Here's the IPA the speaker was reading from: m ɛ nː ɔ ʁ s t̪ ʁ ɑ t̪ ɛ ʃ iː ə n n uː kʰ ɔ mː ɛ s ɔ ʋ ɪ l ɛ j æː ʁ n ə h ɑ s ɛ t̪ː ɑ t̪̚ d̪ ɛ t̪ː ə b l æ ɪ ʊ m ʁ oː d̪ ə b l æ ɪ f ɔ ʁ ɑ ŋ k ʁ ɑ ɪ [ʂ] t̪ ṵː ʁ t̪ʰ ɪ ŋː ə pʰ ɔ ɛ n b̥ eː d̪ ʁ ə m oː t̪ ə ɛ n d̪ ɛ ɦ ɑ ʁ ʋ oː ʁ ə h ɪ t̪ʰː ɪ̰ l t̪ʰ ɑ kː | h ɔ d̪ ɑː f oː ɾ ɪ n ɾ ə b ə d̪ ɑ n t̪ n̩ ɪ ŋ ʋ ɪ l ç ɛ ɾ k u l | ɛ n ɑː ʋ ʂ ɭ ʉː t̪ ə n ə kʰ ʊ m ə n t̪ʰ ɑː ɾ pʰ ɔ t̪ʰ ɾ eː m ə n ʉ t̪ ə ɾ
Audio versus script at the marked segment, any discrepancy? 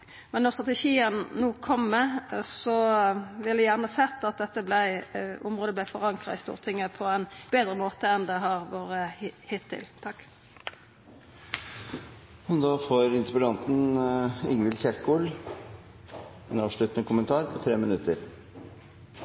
yes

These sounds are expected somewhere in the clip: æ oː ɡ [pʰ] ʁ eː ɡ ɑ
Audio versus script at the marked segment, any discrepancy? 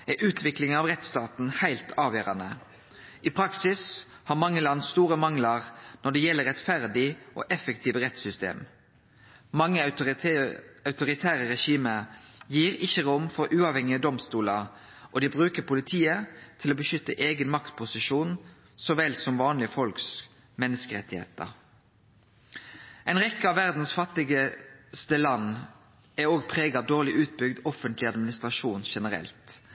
no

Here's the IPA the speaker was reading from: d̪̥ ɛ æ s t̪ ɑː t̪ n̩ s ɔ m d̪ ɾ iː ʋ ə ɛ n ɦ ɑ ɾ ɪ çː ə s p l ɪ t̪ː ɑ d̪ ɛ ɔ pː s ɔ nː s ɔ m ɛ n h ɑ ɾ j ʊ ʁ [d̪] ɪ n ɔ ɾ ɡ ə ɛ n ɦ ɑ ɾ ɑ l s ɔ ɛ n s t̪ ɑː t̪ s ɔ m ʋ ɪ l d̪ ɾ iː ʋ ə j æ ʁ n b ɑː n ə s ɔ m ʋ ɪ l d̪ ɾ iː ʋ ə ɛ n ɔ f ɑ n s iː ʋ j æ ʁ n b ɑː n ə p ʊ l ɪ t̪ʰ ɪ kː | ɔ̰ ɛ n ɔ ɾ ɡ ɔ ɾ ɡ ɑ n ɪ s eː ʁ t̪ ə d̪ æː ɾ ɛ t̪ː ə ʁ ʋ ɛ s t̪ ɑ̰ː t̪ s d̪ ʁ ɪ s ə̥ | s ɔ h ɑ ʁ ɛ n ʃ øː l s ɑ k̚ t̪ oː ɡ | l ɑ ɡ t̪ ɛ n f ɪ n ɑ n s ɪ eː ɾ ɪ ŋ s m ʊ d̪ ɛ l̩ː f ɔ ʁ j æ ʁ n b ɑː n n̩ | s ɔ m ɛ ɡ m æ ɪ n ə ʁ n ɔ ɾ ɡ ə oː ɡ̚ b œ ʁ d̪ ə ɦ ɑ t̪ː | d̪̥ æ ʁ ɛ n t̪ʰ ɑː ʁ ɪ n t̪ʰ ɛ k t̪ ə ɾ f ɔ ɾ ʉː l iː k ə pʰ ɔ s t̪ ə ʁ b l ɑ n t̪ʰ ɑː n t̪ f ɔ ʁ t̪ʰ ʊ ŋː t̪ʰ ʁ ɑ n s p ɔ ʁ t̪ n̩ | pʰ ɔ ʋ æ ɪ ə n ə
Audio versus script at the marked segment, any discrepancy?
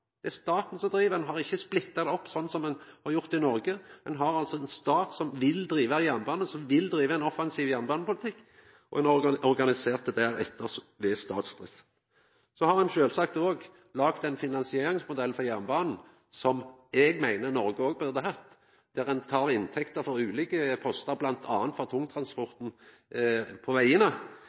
yes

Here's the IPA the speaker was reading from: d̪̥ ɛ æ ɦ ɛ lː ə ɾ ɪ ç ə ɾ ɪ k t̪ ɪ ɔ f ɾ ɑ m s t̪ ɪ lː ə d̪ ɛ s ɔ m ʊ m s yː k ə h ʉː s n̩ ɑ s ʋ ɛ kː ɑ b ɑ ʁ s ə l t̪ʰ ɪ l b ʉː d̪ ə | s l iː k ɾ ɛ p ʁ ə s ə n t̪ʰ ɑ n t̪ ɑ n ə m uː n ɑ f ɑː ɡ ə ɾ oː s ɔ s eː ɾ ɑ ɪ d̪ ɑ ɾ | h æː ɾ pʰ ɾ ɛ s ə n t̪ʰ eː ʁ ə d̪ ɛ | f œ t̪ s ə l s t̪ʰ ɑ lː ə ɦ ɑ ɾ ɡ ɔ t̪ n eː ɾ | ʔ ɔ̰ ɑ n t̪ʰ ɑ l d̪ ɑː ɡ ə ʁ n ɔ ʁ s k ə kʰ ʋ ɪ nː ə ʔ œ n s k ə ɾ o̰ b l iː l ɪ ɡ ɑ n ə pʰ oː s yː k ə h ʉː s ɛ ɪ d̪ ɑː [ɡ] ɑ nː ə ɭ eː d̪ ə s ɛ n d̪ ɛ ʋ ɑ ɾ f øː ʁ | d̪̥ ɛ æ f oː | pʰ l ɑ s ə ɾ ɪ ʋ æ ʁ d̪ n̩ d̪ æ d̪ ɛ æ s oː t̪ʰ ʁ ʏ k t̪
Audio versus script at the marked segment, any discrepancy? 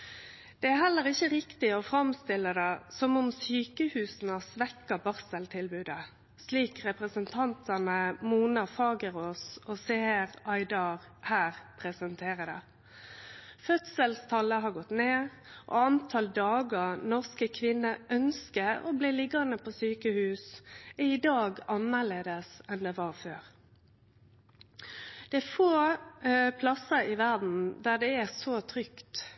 no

